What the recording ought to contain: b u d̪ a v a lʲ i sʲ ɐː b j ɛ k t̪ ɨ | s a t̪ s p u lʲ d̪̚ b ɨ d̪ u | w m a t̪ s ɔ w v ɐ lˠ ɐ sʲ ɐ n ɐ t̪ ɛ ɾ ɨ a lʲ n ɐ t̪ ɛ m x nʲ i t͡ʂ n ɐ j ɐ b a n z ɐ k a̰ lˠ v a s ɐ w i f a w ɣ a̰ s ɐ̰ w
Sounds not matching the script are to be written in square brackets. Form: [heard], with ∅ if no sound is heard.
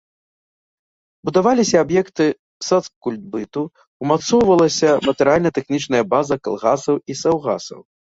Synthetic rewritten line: b u d̪ a v a lʲ i sʲ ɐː b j ɛ k t̪ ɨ | s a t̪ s [k] u lʲ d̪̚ b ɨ [t̪] u | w m a t̪ s ɔ w v ɐ lˠ ɐ sʲ ɐ [m] ɐ t̪ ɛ ɾ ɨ a lʲ n ɐ t̪ ɛ [∅] x nʲ i t͡ʂ n ɐ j ɐ b a [∅] z ɐ k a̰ lˠ [ɣ] a s ɐ w i [s] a w ɣ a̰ s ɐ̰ w